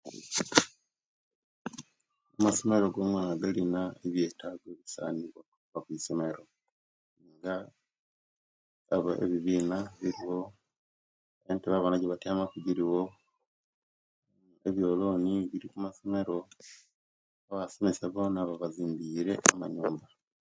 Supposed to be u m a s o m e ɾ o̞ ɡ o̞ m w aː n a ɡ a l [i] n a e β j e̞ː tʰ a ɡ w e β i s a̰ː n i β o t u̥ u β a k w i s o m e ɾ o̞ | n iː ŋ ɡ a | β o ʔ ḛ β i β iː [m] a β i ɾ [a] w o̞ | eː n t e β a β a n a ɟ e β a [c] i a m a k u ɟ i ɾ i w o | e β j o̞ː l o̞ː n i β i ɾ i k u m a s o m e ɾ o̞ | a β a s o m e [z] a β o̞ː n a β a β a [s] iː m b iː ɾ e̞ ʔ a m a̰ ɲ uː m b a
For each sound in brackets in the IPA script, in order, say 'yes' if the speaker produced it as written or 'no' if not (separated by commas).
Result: yes, no, no, no, no, no